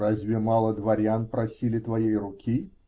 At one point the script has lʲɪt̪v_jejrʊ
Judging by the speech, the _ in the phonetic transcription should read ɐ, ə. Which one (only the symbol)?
ɐ